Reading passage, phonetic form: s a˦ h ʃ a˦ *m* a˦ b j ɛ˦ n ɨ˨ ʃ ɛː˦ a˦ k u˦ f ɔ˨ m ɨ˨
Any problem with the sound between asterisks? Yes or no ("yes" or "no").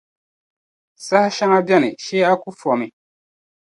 yes